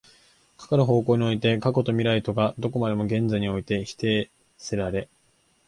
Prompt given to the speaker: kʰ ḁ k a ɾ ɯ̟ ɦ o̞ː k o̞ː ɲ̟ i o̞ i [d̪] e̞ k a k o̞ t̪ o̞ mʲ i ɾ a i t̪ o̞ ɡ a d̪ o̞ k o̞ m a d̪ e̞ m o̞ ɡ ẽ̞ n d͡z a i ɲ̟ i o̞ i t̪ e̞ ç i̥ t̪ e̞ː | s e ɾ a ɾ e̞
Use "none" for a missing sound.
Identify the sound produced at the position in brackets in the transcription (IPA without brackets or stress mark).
t̪